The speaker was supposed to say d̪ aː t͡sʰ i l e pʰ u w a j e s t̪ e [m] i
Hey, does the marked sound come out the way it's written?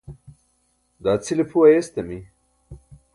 yes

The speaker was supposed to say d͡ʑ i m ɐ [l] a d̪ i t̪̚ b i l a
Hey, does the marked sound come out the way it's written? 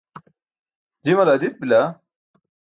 yes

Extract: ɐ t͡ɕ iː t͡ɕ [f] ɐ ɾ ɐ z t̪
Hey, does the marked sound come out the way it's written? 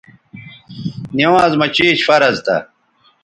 yes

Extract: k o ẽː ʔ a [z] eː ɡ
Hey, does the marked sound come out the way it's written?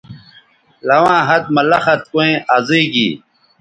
yes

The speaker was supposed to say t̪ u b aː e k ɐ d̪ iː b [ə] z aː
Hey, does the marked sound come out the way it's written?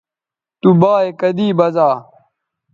no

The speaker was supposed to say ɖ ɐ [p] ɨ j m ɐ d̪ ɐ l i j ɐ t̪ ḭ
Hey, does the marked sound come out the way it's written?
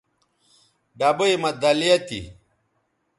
no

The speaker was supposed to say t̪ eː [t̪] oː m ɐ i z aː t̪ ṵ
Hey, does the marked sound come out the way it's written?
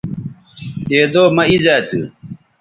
no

